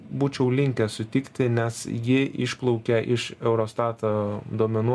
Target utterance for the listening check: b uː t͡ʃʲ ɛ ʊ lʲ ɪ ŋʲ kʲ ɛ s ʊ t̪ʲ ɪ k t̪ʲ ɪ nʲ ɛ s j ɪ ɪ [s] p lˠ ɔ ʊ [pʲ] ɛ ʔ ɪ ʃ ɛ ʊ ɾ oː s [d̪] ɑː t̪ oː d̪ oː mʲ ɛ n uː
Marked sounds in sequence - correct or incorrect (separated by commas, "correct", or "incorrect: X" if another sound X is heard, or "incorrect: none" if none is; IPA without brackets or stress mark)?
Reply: incorrect: ʃ, incorrect: kʲ, incorrect: t̪